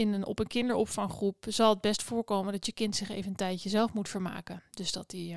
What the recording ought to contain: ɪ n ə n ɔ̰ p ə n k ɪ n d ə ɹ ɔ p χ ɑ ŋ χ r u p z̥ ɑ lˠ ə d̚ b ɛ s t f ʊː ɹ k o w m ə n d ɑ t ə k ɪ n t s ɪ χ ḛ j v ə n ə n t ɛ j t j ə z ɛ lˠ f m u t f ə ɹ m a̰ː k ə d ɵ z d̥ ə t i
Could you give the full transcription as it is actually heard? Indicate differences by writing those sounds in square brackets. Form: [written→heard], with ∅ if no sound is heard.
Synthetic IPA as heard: ɪ n ə n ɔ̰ p ə n k ɪ n d ə ɹ ɔ p [χ→f] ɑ ŋ χ r u p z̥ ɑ lˠ ə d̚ b ɛ s t f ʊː ɹ k o w m ə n d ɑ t ə k ɪ n t s ɪ χ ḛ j v ə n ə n t ɛ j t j ə z ɛ lˠ f m u t f ə ɹ m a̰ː k ə d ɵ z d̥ [ə→ɑ] t i